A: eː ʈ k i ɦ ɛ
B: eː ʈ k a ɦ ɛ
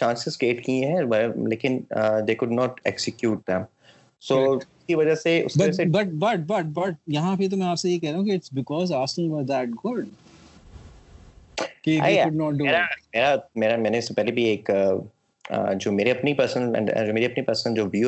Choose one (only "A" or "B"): A